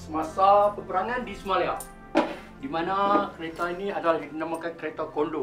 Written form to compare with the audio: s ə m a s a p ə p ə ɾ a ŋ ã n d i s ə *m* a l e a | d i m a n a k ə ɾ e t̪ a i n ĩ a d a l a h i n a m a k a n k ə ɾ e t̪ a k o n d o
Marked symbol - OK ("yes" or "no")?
yes